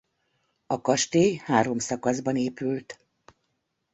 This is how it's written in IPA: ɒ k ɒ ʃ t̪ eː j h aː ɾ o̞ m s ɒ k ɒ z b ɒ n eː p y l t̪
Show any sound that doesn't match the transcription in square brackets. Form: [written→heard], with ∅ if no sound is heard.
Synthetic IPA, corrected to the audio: ɒ k ɒ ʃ t̪ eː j h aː ɾ o̞ m s ɒ k ɒ z b ɒ n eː p y l t̪